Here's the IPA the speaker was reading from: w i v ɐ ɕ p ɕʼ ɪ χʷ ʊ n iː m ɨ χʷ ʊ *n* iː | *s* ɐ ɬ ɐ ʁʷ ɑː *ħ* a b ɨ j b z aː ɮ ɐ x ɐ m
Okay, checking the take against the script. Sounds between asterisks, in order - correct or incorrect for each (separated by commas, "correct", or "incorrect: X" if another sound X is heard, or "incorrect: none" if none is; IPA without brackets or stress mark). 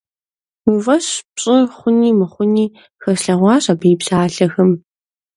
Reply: correct, incorrect: x, incorrect: ɕ